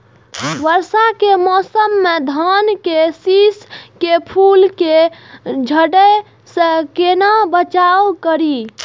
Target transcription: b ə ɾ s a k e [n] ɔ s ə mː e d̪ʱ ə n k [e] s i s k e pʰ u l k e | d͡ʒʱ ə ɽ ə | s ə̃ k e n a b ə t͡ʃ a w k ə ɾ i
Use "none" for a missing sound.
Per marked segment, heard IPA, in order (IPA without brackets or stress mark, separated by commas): m, e